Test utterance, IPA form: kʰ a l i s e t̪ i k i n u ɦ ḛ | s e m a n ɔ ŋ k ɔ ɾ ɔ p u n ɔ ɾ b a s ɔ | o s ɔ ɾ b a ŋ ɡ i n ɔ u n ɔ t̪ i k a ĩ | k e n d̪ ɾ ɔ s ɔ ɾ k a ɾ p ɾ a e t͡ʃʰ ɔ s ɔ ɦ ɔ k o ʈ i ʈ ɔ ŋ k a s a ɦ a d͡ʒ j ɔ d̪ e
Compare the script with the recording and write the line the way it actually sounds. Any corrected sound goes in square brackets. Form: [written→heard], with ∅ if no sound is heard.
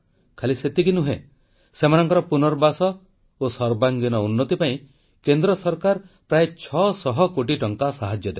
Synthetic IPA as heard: kʰ a l i s e t̪ i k i n u ɦ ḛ | s e m a n ɔ ŋ k ɔ ɾ ɔ p u n ɔ ɾ b a s ɔ | o s ɔ ɾ b a ŋ ɡ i n ɔ u [n→nː] ɔ t̪ i [k→p] a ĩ | k e n d̪ ɾ ɔ s ɔ ɾ k a ɾ p ɾ a e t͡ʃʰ ɔ s ɔ ɦ ɔ k o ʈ i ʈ ɔ ŋ k a s a ɦ a d͡ʒ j ɔ d̪ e